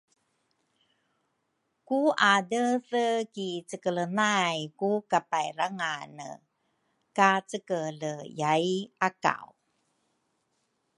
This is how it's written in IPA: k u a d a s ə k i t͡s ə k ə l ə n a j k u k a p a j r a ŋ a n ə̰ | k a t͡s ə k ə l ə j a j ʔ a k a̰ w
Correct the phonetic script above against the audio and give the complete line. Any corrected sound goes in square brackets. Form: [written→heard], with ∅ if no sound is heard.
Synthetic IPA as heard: k u a d [a→ə] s ə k i t͡s ə k ə l ə n a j k u k a p a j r a ŋ a n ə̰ | k a t͡s ə k ə l ə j a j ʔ a k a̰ w